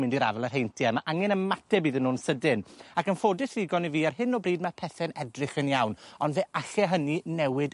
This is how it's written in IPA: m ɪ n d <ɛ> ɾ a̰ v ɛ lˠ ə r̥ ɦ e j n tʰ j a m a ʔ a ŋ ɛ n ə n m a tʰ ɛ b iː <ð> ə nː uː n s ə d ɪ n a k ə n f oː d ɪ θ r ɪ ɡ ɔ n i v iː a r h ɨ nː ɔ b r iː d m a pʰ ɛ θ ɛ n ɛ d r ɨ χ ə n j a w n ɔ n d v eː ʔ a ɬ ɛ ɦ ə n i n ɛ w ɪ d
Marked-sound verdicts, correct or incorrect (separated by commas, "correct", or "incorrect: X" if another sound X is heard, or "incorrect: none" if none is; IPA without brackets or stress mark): incorrect: i, correct